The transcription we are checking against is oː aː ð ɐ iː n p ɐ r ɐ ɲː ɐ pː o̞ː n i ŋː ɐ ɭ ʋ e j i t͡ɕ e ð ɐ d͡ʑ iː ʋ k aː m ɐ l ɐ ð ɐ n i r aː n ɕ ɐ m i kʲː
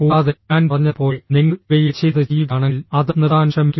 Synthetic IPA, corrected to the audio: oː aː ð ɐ aː n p ɐ r ɐ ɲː ɐ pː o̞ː n i ŋː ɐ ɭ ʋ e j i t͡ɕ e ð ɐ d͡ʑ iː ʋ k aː ɳ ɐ l ɐ ð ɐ n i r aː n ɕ ɐ m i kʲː